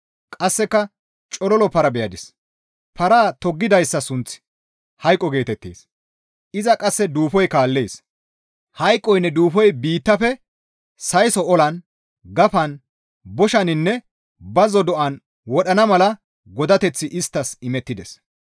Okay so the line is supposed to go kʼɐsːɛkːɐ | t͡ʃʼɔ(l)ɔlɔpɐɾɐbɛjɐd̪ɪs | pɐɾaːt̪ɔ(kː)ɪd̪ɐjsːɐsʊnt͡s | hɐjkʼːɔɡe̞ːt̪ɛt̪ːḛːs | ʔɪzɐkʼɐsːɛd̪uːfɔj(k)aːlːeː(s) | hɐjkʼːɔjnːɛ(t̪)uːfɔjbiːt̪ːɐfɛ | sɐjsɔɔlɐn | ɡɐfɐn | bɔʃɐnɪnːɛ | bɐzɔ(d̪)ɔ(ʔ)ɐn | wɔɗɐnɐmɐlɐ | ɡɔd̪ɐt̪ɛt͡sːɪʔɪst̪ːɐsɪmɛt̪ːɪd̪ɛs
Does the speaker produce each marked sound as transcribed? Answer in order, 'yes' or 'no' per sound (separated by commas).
yes, no, yes, yes, no, yes, yes